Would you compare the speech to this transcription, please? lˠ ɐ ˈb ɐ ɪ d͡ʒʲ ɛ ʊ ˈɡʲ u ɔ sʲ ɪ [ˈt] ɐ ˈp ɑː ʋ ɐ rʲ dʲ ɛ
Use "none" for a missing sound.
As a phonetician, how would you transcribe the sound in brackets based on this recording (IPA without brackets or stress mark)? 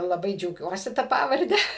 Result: t